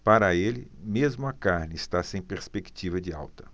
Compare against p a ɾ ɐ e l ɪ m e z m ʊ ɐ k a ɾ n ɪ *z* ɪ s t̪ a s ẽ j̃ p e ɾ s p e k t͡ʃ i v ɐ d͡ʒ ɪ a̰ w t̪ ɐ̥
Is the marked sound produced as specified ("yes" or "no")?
no